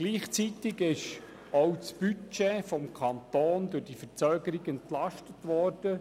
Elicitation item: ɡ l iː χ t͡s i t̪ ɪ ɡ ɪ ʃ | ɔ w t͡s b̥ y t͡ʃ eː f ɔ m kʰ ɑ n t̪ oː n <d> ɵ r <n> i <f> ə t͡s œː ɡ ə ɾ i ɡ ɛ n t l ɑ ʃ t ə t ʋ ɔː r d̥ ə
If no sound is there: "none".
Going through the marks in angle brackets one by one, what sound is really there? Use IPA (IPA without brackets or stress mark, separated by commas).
d, d, f